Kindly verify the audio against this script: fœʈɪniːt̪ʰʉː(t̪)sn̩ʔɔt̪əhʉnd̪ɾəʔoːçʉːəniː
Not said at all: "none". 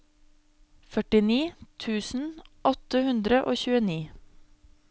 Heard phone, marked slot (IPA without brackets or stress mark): none